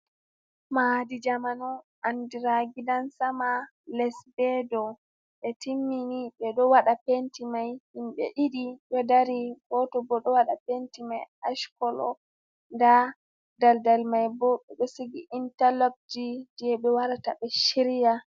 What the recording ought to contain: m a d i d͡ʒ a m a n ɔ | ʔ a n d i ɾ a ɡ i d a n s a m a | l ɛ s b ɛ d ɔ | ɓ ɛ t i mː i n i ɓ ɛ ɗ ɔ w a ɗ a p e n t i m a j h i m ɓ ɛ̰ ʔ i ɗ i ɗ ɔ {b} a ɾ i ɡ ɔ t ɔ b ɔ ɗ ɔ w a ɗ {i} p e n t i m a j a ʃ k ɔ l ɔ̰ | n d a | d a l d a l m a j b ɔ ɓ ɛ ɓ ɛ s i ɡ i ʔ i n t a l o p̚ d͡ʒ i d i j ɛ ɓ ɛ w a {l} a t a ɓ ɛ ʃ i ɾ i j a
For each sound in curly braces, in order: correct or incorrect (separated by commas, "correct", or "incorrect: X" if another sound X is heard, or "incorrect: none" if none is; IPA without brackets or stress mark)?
incorrect: d, incorrect: a, incorrect: ɾ